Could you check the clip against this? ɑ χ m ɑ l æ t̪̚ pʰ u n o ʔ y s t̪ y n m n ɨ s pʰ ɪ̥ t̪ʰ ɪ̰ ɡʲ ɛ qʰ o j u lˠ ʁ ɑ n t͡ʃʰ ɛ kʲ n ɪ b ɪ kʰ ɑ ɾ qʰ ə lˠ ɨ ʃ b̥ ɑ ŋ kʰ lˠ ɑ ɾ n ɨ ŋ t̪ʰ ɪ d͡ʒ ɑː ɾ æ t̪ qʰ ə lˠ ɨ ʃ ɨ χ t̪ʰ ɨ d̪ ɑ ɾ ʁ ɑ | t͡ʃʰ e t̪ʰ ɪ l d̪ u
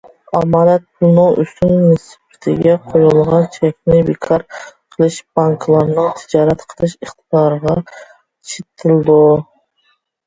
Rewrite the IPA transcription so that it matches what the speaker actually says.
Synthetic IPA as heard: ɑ m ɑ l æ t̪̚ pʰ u n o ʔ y s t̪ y n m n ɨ s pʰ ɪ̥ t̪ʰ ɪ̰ ɡʲ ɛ qʰ o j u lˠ ʁ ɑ n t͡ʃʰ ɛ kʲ n ɪ b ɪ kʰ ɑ ɾ qʰ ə lˠ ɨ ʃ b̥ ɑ ŋ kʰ lˠ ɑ ɾ n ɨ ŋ t̪ʰ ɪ d͡ʒ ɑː ɾ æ t̪ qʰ ə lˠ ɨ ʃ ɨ χ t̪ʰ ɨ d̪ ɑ ɾ ʁ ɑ | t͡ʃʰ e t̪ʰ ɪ l d̪ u